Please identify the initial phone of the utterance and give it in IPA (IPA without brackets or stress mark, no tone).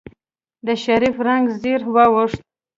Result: d̪